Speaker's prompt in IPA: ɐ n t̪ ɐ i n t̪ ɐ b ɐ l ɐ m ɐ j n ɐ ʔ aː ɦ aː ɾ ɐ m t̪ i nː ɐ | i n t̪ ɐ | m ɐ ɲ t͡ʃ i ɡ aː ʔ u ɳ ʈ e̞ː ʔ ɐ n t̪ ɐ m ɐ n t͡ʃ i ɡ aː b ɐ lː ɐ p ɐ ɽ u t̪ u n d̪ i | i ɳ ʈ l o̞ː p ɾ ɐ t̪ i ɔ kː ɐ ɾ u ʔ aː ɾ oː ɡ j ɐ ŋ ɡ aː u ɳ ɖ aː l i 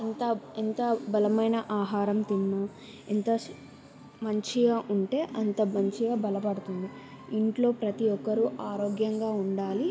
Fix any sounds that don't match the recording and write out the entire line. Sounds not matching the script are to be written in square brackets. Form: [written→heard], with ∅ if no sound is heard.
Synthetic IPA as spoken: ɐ n t̪ ɐ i n t̪ ɐ b ɐ l ɐ m ɐ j n ɐ ʔ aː ɦ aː ɾ ɐ m t̪ i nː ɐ | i n t̪ ɐ | m ɐ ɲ t͡ʃ i ɡ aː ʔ u ɳ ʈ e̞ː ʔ ɐ n t̪ ɐ m ɐ [n→ɲ] t͡ʃ i ɡ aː b ɐ [lː→l] ɐ p ɐ ɽ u t̪ u n d̪ i | i ɳ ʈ l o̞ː p ɾ ɐ t̪ i ɔ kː ɐ ɾ u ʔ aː ɾ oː ɡ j ɐ ŋ ɡ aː u ɳ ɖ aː l i